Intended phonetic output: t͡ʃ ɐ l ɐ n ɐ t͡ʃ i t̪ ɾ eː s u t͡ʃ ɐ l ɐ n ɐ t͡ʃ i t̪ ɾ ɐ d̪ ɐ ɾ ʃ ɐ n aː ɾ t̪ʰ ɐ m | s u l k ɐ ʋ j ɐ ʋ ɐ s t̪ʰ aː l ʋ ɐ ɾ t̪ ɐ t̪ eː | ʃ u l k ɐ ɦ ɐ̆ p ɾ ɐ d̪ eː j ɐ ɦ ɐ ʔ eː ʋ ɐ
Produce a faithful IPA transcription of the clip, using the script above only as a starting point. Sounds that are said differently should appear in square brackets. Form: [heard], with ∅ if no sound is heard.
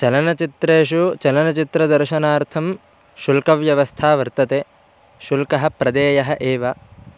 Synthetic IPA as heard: t͡ʃ ɐ l ɐ n ɐ t͡ʃ i t̪ ɾ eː [ʃ] u t͡ʃ ɐ l ɐ n ɐ t͡ʃ i t̪ ɾ ɐ d̪ ɐ ɾ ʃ ɐ n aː ɾ t̪ʰ ɐ m | [ʃ] u l k ɐ ʋ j ɐ ʋ ɐ s t̪ʰ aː [∅] ʋ ɐ ɾ t̪ ɐ t̪ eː | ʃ u l k ɐ ɦ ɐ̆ p ɾ ɐ d̪ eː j ɐ ɦ ɐ ʔ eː ʋ ɐ